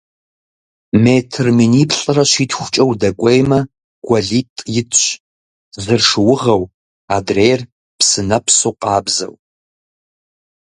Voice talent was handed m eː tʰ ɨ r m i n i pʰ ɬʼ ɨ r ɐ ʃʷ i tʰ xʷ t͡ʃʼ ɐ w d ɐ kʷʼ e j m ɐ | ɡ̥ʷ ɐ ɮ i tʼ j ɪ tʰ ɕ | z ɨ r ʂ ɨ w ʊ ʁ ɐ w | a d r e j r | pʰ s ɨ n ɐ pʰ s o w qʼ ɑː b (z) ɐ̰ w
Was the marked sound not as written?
no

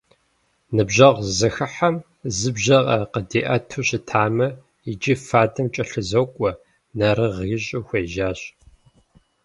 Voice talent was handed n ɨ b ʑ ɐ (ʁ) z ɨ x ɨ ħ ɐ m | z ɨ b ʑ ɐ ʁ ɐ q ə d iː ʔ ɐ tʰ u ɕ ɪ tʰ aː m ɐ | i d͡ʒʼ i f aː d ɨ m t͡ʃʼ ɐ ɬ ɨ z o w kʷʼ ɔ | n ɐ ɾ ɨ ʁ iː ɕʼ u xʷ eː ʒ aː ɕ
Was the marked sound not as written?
no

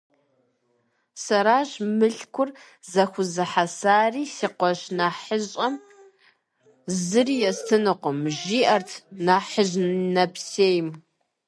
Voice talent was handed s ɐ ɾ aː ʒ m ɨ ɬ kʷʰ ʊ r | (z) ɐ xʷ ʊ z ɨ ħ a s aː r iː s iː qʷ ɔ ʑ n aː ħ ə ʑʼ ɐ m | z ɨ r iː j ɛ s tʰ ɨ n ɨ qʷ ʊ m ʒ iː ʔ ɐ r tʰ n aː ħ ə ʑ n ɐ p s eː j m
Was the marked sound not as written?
no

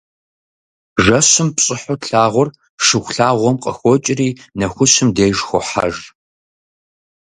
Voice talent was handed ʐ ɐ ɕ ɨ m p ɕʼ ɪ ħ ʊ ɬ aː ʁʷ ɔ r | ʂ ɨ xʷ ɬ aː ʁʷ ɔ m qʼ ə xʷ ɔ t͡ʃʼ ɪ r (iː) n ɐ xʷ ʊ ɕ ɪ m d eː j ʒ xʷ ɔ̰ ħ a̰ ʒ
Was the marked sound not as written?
no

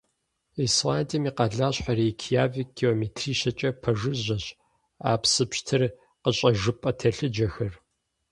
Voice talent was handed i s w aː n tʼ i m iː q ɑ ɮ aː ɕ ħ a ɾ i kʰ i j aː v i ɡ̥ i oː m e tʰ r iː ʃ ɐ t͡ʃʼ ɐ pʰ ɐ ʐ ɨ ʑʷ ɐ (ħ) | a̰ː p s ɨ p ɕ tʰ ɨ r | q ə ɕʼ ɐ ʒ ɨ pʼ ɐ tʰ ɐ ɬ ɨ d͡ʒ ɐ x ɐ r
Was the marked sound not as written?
yes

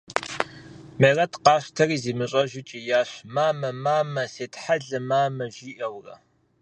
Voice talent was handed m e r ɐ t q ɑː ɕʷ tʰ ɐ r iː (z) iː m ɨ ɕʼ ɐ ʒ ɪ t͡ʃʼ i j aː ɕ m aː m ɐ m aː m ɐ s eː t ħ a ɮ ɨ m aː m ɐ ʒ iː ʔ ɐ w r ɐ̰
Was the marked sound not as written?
no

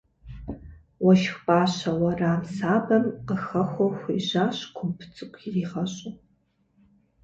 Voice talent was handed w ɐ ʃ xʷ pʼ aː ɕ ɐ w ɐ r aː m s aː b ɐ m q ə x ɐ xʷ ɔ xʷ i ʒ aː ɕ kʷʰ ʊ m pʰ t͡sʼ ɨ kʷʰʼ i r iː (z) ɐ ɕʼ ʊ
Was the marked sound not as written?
yes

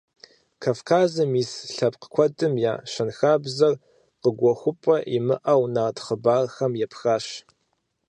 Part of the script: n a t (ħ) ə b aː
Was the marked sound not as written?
yes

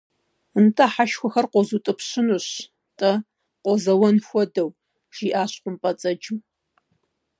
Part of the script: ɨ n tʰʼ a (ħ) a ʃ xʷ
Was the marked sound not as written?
no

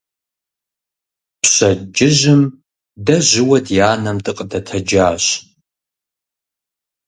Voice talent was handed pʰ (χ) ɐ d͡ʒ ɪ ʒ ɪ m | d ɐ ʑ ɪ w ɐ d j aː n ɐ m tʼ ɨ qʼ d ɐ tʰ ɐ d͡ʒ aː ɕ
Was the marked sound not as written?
yes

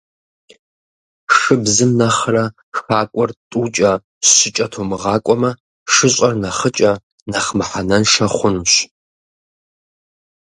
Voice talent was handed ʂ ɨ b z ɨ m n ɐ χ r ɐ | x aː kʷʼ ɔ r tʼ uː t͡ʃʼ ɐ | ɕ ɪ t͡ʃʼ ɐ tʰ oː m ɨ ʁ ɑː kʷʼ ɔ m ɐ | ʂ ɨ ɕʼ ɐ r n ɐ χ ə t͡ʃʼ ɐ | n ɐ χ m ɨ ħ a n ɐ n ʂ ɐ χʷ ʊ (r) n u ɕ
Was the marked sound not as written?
yes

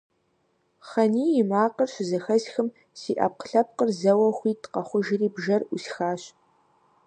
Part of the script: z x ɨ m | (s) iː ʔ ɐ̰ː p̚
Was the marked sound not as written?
no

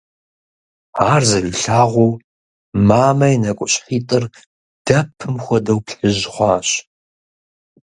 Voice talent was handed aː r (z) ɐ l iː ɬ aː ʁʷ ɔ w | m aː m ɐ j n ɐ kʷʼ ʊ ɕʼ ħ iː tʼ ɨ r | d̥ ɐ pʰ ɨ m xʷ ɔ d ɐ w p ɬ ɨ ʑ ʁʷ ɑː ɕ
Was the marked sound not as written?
no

